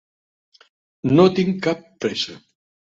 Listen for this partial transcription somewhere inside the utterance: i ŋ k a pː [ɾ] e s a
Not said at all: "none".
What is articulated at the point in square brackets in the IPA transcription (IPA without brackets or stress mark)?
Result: ɾ